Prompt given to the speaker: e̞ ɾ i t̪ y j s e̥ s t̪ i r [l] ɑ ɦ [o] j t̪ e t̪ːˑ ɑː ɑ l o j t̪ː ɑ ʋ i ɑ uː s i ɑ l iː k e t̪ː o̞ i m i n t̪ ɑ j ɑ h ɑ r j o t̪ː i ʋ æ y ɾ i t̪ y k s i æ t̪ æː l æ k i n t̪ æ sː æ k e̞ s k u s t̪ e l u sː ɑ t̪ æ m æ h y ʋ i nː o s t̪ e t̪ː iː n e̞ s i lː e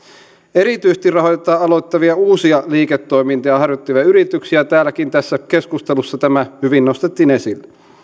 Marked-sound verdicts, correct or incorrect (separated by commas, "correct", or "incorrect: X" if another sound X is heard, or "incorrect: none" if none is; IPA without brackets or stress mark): incorrect: r, correct